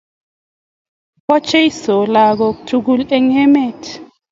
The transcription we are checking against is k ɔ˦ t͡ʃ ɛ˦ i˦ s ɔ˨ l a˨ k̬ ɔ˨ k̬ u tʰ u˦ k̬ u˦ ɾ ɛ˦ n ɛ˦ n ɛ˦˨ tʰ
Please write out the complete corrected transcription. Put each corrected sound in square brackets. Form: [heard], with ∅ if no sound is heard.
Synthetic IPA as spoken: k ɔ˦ t͡ʃ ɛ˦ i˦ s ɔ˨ l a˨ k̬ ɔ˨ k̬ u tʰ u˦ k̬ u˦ [l] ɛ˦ [ŋ] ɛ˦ [m] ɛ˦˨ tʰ